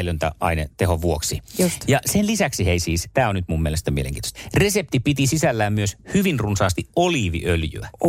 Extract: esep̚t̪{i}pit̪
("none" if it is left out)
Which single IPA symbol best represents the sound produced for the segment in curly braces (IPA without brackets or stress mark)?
i